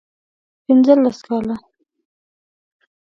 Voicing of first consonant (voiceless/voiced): voiceless